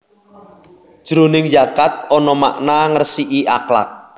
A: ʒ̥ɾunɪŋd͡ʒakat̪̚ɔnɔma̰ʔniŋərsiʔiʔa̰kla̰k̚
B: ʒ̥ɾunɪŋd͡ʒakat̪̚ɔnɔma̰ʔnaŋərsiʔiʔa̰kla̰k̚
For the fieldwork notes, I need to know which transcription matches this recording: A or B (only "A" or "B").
B